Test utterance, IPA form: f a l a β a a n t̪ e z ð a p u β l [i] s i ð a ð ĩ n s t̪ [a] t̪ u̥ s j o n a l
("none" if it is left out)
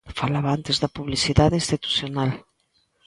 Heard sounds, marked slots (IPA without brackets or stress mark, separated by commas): i, i